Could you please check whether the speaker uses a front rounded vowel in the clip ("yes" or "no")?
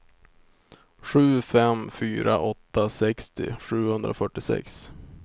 yes